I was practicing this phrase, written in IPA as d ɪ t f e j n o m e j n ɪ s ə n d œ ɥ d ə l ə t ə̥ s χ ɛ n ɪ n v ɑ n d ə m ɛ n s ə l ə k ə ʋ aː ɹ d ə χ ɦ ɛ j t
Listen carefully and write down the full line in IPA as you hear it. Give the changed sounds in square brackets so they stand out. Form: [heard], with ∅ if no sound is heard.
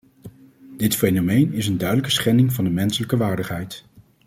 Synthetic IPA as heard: d ɪ t f e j n o m e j n ɪ s ə n d œ ɥ d ə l ə [k] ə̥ s χ ɛ n ɪ [ŋ] v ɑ n d ə m ɛ n s ə l ə k ə ʋ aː ɹ d ə χ ɦ ɛ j t